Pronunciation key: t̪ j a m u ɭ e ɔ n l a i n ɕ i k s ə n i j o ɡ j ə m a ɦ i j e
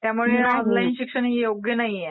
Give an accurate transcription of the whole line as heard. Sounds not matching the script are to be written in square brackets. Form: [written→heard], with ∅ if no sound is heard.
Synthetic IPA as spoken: t̪ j a m u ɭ e ɔ n l a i n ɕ i k [s→ʂ] ə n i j o ɡ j ə [m→n] a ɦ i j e

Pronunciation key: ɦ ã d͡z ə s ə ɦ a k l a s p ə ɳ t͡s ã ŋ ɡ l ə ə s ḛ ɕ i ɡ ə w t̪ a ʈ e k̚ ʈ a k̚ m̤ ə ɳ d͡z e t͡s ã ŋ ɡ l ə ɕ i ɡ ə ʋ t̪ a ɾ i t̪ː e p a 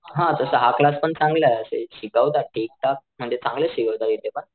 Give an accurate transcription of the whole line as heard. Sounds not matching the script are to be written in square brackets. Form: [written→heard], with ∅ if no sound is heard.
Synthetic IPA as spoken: ɦ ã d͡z ə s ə ɦ a k l a s p ə ɳ t͡s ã ŋ ɡ l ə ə s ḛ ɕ i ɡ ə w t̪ a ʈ e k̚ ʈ a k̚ m̤ ə ɳ d͡z e t͡s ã ŋ ɡ l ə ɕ i ɡ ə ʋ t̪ a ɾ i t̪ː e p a

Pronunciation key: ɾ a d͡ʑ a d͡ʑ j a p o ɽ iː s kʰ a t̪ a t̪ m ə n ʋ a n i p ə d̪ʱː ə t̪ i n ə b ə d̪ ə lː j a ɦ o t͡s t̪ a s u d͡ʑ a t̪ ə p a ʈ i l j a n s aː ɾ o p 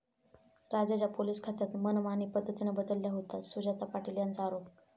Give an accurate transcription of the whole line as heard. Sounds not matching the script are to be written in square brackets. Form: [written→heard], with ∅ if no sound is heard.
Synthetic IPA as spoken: ɾ a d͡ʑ a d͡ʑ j a p o [ɽ→l] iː s kʰ a t̪ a t̪ m ə n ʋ a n i p ə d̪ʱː ə t̪ i n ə b ə d̪ ə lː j a ɦ o [t͡s→∅] t̪ a s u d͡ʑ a t̪ [ə→a] p a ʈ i l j a n [s→t͡s] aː ɾ o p

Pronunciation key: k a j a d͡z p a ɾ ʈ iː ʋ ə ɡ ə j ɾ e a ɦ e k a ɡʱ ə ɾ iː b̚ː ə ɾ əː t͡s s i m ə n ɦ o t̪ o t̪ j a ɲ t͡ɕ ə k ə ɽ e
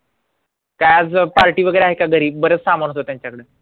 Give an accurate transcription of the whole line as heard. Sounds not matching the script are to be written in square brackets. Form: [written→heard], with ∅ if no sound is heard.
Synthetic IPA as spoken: k a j a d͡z p a ɾ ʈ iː ʋ ə ɡ ə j ɾ e a ɦ e k a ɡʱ ə ɾ iː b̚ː ə ɾ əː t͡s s [i→a] m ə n ɦ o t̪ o t̪ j a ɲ t͡ɕ [ə→a] k ə ɽ e

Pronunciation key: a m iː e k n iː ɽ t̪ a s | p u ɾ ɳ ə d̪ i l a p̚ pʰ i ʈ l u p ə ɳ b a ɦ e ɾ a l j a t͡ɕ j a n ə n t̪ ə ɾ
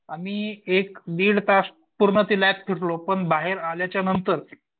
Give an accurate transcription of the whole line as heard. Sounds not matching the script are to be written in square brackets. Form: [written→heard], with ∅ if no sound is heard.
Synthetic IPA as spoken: a m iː e k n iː ɽ t̪ a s | p u ɾ ɳ ə [d̪→t̪] i l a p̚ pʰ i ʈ l [u→o] p ə ɳ b a ɦ e ɾ a l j a t͡ɕ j a n ə n t̪ ə ɾ

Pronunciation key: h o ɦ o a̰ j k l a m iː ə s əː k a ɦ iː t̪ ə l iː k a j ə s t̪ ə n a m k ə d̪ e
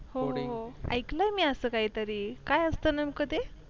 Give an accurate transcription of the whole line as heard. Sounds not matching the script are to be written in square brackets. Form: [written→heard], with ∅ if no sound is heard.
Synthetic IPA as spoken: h o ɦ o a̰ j k l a m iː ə s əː k a ɦ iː t̪ ə [l→ɾ] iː k a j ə s t̪ ə n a m k ə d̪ e

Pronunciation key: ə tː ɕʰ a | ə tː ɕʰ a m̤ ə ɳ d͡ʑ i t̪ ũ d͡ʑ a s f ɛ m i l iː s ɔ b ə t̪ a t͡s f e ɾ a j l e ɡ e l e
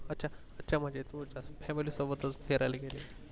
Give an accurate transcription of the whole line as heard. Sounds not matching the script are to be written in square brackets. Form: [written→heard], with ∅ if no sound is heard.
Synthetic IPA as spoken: ə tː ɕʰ a | ə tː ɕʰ a m̤ ə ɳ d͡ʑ [i→e] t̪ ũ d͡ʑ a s f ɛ m i l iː s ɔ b ə t̪ [a→ə] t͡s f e ɾ a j l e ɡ e l e

